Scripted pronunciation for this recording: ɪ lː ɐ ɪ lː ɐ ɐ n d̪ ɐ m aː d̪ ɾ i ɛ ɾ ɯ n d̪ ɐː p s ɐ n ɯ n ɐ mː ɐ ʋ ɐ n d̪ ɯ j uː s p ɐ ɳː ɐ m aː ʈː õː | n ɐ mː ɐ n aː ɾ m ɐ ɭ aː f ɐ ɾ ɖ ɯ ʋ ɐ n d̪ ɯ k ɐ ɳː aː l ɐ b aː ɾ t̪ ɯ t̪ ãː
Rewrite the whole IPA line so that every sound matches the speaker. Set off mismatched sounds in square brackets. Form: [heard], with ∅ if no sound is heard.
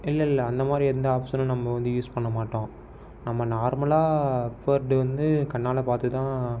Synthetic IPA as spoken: ɪ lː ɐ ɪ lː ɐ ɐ n d̪ ɐ m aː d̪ ɾ i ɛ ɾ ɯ n d̪ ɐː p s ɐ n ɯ n ɐ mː ɐ ʋ ɐ n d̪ ɯ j uː s p ɐ ɳː ɐ m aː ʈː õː | n ɐ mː ɐ n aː ɾ m ɐ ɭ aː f ɐ ɾ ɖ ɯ ʋ ɐ n d̪ ɯ k ɐ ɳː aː l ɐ [p] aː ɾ t̪ ɯ t̪ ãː